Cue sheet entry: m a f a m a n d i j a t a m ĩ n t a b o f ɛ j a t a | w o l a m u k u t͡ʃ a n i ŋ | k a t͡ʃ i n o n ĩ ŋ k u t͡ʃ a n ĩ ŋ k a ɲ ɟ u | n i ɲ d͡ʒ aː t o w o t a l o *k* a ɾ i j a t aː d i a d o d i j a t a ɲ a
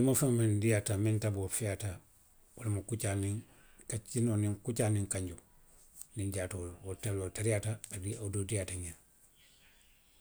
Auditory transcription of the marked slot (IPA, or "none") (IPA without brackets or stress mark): t